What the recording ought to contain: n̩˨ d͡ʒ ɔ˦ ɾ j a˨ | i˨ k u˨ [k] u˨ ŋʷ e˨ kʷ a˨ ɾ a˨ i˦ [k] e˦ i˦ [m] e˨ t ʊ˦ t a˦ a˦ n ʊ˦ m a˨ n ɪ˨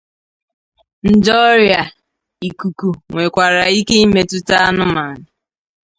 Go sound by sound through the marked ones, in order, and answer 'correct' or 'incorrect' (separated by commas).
correct, correct, correct